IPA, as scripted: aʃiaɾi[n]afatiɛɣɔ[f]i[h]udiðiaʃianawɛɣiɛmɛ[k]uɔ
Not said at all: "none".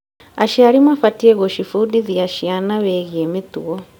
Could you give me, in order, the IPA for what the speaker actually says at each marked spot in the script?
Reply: m, ʃ, f, t

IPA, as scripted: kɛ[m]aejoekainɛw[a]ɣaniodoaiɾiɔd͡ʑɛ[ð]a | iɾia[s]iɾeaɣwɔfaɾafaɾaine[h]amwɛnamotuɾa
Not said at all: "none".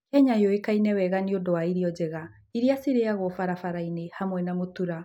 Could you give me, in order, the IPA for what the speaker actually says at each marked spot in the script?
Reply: ɲ, ɛ, ɣ, s, h

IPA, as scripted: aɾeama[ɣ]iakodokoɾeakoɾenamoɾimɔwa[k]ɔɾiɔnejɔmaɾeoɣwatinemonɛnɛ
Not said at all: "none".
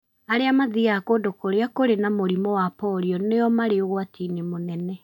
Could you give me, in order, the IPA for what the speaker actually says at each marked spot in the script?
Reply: ð, p

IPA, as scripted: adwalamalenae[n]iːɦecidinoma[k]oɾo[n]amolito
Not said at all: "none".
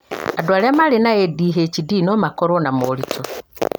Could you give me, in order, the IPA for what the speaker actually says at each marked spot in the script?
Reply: d, k, n

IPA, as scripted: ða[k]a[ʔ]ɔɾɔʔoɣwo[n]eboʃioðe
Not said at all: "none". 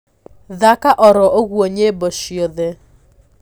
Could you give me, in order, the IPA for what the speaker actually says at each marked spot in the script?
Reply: k, ʔ, ɲ

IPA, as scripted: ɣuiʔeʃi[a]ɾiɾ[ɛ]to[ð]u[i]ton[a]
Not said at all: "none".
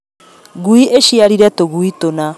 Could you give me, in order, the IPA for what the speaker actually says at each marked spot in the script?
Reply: a, ɛ, ɣ, i, a

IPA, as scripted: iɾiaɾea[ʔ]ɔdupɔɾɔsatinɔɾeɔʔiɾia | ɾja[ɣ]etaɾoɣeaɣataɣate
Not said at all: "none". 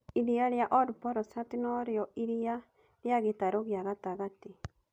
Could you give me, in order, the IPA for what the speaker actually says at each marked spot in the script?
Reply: ʔ, ɣ

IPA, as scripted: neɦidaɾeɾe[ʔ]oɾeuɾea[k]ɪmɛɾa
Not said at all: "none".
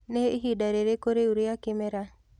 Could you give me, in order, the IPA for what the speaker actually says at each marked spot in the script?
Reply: k, k

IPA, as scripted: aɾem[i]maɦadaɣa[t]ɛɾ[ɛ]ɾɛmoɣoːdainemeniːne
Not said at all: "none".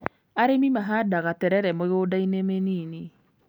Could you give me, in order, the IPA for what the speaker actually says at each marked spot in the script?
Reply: i, t, ɛ

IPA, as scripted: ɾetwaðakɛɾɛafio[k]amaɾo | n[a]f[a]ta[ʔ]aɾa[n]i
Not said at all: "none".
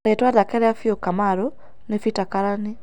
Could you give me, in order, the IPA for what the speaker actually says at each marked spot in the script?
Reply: k, e, i, k, n

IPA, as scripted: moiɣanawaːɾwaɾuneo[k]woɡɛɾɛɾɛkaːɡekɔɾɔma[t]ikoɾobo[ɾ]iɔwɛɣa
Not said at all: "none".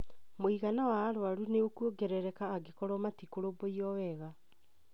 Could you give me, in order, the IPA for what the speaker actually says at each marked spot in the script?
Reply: k, t, none

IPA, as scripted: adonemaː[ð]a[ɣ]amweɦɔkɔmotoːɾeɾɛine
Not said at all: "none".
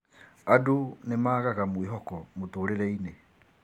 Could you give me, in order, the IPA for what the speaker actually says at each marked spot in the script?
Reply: ɣ, ɣ

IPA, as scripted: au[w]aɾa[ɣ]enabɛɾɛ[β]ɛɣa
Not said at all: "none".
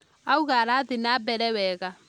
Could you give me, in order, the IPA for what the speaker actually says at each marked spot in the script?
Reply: ɣ, ð, w

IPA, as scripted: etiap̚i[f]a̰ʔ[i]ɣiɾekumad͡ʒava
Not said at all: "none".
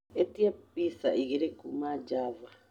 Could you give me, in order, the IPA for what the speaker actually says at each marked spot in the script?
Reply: s, i

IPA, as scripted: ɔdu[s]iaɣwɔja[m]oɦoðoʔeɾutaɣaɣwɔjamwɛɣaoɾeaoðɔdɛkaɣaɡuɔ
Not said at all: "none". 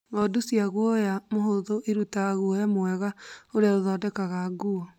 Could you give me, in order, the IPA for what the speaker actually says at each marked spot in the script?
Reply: s, m

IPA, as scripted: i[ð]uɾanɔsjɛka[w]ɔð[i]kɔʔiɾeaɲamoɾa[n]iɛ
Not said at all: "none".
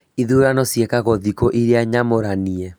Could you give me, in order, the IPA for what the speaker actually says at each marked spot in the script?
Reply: ð, ɣ, i, n

